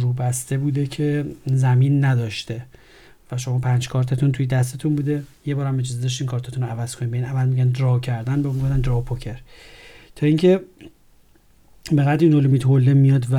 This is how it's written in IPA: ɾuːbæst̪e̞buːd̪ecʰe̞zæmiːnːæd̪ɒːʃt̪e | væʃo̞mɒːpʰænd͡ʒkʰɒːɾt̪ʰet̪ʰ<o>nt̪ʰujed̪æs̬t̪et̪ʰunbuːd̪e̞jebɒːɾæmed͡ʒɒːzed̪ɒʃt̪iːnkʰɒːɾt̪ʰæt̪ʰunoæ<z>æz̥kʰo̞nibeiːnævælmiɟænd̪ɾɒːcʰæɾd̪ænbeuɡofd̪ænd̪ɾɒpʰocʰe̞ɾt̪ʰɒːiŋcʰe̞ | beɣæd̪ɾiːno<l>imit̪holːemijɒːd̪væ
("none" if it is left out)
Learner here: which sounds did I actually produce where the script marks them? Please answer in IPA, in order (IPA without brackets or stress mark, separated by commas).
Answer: u, v, l